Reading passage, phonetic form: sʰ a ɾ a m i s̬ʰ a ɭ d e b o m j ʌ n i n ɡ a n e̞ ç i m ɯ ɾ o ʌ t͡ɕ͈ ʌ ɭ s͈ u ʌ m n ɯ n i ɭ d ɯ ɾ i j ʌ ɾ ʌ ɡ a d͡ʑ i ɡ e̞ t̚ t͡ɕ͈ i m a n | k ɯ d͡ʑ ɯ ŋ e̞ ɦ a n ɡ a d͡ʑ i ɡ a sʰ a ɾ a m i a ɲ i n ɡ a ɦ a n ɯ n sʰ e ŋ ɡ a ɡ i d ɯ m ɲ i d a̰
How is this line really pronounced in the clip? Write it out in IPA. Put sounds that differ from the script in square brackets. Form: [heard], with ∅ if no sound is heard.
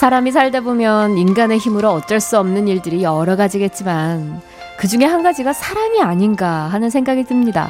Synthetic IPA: sʰ a ɾ a m i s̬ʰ a ɭ d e b o m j ʌ n i n ɡ a n e̞ ç i m ɯ ɾ o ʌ t͡ɕ͈ ʌ ɭ s͈ u ʌ m n ɯ n i ɭ d ɯ ɾ i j ʌ ɾ ʌ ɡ a d͡ʑ i ɡ e̞ t̚ t͡ɕ͈ i m a n | k ɯ d͡ʑ [u] ŋ e̞ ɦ a n ɡ a d͡ʑ i ɡ a sʰ a ɾ a m i a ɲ i n ɡ a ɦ a n ɯ n sʰ e ŋ ɡ a ɡ i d ɯ m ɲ i d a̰